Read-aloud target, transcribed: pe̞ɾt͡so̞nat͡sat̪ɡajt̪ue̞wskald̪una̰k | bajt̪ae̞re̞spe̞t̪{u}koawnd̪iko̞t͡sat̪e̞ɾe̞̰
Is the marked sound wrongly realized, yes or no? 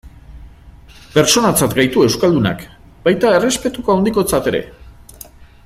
no